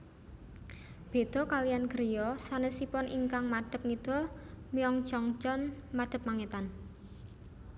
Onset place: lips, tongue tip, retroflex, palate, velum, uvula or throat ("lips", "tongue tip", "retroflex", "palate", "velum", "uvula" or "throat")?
lips